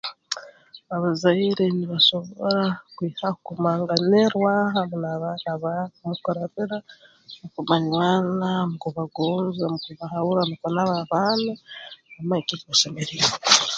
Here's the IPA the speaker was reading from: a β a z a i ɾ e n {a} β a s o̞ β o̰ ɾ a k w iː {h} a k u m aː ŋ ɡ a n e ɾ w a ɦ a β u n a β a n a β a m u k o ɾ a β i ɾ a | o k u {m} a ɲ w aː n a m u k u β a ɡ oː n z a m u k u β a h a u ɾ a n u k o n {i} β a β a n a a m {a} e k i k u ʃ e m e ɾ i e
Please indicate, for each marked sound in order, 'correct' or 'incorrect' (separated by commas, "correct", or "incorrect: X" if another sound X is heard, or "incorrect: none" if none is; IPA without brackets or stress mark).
incorrect: i, correct, correct, incorrect: a, correct